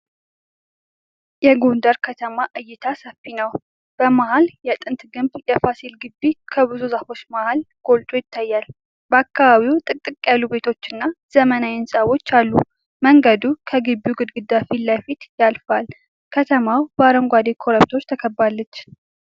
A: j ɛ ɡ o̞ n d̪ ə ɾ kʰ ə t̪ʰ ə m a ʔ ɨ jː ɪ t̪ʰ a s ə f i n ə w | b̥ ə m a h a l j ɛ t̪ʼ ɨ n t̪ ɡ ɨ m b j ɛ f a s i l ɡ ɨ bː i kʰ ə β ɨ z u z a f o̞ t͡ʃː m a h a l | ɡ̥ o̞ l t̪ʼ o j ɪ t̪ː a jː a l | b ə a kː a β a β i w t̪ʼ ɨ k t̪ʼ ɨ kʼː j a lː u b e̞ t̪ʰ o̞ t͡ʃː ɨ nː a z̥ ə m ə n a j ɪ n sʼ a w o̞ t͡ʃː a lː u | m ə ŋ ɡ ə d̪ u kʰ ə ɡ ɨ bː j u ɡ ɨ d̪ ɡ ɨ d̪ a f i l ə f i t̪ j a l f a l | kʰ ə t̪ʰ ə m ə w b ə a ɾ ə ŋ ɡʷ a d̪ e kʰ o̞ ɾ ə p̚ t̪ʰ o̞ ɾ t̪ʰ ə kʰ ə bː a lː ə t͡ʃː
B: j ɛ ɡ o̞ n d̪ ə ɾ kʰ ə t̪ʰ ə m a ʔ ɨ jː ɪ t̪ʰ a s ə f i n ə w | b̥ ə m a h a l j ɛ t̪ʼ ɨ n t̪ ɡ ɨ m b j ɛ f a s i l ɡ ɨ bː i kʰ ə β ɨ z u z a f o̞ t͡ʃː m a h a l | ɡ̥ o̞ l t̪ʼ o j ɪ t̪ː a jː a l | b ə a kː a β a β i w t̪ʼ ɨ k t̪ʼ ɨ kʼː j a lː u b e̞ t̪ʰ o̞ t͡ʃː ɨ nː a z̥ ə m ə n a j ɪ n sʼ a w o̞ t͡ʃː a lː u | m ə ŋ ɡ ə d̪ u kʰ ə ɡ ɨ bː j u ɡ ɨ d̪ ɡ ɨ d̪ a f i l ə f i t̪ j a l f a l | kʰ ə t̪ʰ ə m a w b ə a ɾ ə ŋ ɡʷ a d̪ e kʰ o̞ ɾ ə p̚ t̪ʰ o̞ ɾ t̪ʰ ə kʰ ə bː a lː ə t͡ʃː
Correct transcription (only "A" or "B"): B